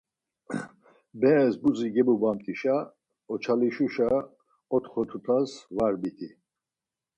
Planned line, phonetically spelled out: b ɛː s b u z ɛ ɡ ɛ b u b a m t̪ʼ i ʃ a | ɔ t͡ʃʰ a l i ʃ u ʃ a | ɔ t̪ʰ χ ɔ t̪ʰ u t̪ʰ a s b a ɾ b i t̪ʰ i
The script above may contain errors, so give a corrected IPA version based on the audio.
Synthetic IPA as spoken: b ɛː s b u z i ɡ ɛ b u b a m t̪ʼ i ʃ a | ɔ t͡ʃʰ a l i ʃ u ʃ a | ɔ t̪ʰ χ ɔ t̪ʰ u t̪ʰ a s v a ɾ b i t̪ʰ i